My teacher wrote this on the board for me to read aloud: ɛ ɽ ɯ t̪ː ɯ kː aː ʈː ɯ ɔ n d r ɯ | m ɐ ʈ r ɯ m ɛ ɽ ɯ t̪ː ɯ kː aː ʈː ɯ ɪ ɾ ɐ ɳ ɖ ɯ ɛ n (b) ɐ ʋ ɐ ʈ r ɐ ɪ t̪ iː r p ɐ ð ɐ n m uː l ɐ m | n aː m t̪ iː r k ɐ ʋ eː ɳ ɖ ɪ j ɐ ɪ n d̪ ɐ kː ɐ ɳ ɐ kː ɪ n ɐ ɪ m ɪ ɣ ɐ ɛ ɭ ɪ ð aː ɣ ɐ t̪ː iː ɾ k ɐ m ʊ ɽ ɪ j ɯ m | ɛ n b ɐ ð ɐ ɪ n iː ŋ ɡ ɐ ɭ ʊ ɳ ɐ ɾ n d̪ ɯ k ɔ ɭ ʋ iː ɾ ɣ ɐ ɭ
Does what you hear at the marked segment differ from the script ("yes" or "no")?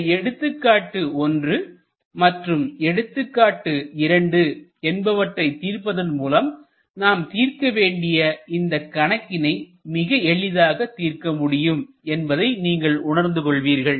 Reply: no